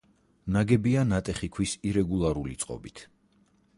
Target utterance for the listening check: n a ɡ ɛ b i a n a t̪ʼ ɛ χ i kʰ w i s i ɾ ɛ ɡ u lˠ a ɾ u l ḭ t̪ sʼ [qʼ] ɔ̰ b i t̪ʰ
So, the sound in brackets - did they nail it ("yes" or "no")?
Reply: yes